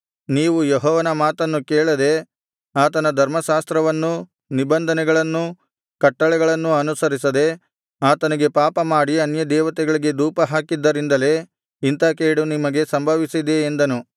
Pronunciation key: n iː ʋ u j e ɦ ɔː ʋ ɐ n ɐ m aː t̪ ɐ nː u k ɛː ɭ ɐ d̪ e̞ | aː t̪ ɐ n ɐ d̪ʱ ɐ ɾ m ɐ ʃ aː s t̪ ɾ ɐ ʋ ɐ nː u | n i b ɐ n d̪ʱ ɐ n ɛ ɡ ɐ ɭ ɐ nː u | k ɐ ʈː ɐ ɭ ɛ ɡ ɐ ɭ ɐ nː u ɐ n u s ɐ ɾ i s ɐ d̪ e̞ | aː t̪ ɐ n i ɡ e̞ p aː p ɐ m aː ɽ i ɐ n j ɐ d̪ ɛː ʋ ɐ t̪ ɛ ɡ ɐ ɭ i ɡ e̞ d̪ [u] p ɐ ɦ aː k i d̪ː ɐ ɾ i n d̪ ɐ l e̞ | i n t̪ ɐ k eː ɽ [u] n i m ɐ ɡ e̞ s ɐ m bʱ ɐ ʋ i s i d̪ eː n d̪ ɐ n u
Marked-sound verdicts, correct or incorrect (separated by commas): incorrect, correct